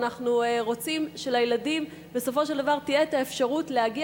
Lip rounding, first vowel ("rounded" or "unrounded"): unrounded